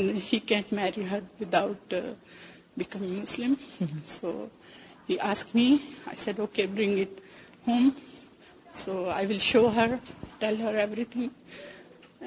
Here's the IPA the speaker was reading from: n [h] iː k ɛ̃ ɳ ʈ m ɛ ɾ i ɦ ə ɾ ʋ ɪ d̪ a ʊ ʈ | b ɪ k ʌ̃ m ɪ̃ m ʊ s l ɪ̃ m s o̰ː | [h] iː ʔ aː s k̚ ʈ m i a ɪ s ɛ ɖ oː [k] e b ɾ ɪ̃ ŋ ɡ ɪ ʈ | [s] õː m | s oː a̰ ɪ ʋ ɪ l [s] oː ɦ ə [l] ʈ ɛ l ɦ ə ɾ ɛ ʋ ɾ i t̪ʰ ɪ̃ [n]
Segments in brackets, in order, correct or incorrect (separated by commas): correct, correct, correct, incorrect, incorrect, incorrect, incorrect